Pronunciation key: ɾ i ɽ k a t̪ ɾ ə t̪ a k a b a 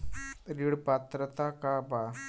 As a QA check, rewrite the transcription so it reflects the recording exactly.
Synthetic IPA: ɾ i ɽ p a t̪ ɾ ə t̪ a k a b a